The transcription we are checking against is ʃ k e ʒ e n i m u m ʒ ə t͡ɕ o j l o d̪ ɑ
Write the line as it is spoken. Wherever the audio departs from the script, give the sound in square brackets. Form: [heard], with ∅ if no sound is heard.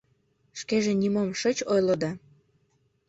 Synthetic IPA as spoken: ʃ k e ʒ e n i m [o] m [ʃ] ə t͡ɕ o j l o d̪ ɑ